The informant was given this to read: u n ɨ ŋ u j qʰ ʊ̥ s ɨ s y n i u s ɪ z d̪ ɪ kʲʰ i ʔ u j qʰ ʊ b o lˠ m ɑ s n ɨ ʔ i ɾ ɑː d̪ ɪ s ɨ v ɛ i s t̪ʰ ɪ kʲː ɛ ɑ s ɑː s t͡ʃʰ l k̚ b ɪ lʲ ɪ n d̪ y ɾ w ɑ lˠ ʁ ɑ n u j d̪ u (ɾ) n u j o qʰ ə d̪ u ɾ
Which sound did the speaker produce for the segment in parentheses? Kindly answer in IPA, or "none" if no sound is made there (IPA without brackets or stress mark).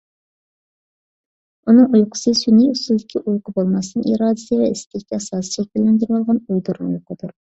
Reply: ɾ